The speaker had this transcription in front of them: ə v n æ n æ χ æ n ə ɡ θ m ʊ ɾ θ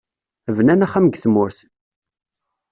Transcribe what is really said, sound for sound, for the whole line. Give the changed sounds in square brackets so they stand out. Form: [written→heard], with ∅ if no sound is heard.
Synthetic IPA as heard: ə v n æ n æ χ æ [n→m] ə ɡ θ m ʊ ɾ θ